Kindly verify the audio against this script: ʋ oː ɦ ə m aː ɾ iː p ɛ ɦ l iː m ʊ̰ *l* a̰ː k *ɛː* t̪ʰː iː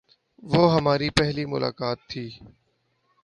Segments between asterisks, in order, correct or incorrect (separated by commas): correct, incorrect